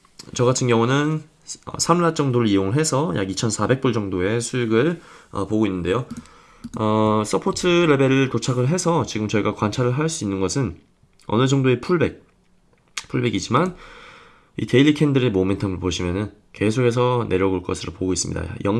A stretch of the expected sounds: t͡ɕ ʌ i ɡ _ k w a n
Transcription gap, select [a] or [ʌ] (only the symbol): a